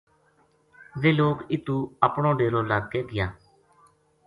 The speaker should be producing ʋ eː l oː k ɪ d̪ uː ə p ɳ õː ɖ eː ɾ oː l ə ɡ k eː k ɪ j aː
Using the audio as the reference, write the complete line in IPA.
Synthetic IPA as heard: ʋ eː l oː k ɪ t̪ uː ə p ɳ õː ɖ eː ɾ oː l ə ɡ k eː ɡ ɪ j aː